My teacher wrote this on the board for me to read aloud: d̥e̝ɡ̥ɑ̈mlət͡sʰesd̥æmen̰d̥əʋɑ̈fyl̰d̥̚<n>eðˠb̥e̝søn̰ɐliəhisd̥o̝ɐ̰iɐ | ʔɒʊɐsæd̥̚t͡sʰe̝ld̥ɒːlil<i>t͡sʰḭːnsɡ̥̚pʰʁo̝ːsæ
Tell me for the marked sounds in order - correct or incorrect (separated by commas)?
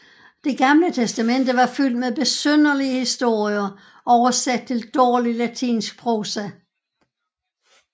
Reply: incorrect, incorrect